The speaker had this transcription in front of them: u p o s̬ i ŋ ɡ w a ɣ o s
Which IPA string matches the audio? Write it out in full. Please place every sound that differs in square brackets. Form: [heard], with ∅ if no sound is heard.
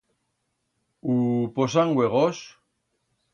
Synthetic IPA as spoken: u p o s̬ [a] ŋ ɡ w [e] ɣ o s